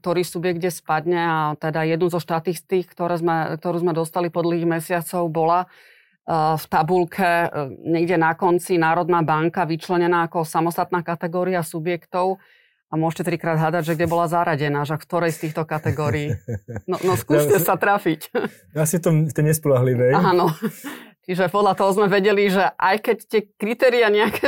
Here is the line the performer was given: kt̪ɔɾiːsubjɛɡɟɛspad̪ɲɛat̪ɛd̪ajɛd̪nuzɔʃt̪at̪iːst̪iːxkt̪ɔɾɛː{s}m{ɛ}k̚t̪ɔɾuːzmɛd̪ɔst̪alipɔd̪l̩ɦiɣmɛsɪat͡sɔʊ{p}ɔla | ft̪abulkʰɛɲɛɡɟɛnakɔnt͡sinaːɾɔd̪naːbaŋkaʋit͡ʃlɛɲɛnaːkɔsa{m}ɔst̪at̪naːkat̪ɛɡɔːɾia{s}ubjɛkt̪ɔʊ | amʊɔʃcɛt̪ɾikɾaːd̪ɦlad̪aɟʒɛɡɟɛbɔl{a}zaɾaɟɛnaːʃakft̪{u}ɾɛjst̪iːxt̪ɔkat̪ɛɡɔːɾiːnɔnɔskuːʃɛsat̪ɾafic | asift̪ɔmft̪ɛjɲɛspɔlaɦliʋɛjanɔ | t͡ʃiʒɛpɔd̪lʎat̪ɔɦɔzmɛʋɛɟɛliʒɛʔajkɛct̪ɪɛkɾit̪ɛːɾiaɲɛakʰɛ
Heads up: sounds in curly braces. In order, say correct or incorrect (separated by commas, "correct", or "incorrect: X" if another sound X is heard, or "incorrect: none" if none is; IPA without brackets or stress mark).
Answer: incorrect: z, correct, incorrect: b, correct, correct, correct, incorrect: ɔ